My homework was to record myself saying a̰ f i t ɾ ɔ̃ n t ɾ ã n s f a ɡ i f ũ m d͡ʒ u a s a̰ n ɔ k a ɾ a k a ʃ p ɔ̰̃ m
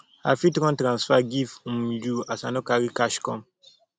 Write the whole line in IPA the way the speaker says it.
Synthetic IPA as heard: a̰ f i t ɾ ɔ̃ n t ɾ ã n s f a ɡ i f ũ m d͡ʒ u a s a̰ n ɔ k a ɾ i k a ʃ k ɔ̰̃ m